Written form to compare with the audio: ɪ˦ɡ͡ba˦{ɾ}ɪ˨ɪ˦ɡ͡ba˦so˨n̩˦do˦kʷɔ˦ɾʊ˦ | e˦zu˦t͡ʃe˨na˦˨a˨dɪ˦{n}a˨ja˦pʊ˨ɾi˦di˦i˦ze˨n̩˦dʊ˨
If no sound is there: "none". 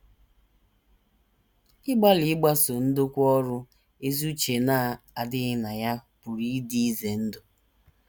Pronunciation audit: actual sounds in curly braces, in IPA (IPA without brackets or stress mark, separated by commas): l, n